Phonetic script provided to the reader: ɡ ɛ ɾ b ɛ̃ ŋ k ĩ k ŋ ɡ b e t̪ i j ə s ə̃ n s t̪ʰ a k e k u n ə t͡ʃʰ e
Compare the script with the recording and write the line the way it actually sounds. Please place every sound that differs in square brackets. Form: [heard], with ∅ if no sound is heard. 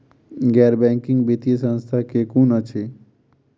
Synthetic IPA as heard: ɡ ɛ ɾ b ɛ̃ ŋ k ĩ [∅] ŋ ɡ b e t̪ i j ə s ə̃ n s t̪ʰ a k e k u n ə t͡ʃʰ e